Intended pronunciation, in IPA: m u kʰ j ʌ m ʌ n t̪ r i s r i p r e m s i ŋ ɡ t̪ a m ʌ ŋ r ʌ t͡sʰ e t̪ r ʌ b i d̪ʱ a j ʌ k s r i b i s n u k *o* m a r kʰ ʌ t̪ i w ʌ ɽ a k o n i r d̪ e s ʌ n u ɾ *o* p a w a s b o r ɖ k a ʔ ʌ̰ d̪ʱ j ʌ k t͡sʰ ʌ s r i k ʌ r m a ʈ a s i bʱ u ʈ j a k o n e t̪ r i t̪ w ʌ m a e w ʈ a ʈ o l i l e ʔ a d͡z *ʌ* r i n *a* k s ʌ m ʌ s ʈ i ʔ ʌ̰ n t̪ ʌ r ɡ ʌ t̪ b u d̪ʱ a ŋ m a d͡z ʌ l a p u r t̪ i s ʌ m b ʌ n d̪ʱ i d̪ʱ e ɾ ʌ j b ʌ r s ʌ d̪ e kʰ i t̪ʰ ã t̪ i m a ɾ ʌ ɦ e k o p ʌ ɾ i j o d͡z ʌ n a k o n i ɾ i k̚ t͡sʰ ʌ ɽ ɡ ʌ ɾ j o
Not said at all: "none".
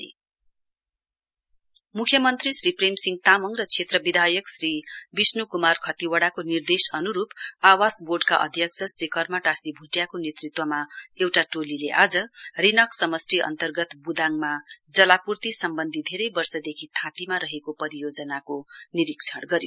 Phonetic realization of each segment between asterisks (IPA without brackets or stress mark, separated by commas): u, u, ʌ, ʌ